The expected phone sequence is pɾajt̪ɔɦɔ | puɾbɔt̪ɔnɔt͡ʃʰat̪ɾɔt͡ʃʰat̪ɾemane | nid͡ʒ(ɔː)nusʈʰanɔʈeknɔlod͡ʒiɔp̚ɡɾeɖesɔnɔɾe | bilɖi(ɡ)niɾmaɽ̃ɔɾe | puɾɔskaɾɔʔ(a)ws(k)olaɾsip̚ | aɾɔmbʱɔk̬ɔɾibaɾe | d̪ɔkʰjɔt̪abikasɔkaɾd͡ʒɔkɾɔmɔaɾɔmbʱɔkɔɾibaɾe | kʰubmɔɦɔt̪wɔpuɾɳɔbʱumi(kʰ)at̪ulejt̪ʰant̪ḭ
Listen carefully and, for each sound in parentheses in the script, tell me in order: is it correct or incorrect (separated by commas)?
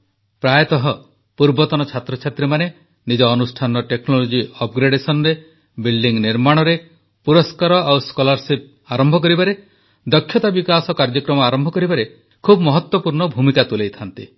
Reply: correct, incorrect, correct, correct, incorrect